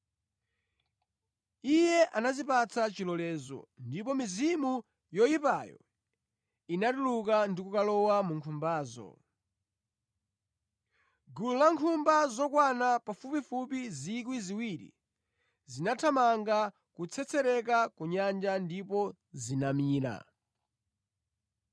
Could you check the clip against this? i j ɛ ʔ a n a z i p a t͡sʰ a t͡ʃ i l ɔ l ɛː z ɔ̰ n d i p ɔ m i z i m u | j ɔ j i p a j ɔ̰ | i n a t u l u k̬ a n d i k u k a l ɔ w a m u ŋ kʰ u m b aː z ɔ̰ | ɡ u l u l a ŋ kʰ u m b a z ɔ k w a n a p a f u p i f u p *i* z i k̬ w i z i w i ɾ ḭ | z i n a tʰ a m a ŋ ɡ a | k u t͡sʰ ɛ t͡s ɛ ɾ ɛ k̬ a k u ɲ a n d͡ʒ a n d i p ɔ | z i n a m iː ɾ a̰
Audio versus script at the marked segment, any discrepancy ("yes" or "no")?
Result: no